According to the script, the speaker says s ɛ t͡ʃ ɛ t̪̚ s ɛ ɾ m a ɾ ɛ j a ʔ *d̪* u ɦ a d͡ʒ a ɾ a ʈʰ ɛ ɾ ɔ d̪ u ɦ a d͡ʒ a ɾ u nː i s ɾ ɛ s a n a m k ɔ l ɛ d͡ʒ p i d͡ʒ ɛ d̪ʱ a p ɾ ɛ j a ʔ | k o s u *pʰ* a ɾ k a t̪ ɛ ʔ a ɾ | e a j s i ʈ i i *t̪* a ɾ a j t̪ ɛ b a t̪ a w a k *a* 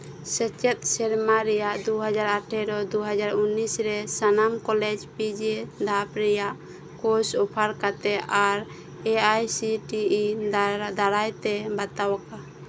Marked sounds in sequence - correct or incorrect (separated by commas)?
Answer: correct, correct, incorrect, correct